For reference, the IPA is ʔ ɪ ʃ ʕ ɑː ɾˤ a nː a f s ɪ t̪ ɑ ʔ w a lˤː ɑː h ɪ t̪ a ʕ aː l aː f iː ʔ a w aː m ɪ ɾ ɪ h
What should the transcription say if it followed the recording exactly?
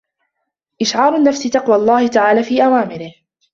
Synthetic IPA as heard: ʔ ɪ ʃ ʕ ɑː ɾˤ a nː a f s ɪ t̪ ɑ q w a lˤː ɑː h ɪ t̪ a ʕ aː l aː f iː ʔ a w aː m ɪ ɾ ɪ h